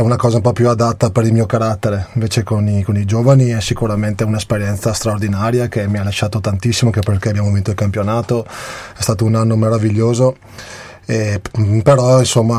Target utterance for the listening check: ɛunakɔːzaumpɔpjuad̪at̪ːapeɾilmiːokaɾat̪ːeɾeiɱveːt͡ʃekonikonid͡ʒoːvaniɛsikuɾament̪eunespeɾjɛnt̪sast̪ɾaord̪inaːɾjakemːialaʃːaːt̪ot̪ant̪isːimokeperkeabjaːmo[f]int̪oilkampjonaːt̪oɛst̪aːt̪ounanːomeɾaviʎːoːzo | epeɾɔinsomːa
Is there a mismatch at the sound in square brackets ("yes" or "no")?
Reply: yes